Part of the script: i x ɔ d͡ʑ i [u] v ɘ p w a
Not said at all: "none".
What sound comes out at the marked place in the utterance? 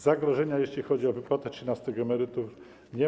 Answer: ɔ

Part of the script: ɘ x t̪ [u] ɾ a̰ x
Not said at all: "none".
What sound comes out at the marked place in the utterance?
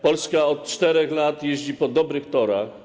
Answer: ɔ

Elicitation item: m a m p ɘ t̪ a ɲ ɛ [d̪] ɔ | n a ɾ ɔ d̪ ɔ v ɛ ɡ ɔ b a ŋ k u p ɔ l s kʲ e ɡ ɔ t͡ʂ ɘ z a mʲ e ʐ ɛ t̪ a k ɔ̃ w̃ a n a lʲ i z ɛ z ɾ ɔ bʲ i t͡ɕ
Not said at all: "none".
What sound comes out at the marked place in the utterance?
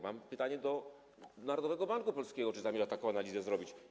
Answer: d̪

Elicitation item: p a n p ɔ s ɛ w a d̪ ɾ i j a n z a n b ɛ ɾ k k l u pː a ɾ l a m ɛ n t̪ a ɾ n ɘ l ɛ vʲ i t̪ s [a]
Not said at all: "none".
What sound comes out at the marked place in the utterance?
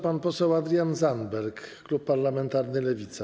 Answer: a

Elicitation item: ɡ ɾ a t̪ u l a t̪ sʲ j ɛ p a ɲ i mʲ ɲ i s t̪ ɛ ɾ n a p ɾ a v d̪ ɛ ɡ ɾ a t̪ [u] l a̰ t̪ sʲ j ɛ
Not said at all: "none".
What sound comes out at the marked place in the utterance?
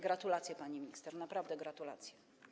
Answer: u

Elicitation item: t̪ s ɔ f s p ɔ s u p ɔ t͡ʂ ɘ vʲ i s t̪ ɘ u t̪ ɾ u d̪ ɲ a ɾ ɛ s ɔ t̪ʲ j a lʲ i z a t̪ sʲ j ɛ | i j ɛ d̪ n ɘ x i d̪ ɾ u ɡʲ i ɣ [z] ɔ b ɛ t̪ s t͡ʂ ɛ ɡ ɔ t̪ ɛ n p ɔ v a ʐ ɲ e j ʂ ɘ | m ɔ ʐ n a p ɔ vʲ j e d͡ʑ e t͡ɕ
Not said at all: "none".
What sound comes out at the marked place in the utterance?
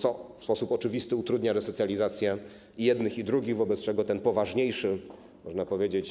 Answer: v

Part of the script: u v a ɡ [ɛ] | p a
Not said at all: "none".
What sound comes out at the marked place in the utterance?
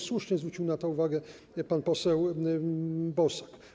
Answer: ɛ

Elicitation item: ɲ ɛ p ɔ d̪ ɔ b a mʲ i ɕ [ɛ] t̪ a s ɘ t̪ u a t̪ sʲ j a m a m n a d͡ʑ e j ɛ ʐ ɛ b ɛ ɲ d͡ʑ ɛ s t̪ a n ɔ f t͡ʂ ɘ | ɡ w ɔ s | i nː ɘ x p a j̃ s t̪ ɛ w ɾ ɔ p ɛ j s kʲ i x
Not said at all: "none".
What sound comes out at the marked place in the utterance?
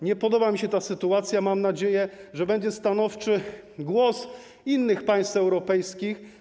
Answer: ɛ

